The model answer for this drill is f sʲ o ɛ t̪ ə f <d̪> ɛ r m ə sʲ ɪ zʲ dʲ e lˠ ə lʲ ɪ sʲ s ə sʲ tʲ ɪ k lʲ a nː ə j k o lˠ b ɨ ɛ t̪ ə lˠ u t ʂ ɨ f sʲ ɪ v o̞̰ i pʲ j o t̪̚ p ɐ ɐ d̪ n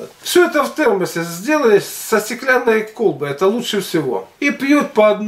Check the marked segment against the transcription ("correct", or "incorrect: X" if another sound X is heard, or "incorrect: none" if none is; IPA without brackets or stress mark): incorrect: t̪